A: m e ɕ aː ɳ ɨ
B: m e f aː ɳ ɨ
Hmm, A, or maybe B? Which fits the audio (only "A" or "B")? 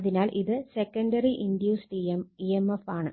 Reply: B